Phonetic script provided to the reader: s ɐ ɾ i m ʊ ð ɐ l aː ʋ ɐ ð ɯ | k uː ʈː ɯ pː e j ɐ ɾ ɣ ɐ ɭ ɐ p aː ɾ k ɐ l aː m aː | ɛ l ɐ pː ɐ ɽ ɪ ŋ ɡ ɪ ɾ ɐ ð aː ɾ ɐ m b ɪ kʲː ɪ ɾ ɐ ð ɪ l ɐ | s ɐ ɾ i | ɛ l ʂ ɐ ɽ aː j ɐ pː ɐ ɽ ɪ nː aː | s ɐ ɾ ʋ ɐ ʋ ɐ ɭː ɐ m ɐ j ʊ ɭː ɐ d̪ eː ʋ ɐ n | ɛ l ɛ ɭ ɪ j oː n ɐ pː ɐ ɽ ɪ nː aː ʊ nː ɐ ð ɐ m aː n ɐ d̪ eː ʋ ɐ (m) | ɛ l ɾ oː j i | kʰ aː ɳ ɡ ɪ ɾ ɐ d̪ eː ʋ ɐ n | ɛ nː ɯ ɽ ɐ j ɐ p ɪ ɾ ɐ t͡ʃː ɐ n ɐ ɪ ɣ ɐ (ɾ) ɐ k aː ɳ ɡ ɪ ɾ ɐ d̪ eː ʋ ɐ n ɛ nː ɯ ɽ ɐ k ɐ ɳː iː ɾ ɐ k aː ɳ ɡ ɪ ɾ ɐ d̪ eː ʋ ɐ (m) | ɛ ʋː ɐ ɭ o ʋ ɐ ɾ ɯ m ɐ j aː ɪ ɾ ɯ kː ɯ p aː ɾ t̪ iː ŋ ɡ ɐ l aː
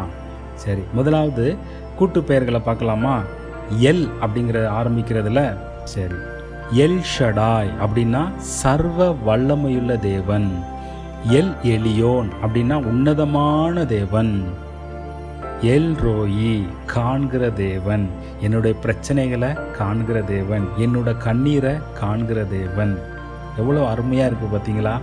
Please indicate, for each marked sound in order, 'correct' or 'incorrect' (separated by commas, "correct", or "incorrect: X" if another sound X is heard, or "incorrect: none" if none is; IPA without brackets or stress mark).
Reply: incorrect: n, incorrect: ɭ, incorrect: n